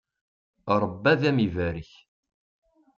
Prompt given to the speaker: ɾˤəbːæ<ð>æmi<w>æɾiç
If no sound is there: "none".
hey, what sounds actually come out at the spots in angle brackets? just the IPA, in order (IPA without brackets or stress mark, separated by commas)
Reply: ð, v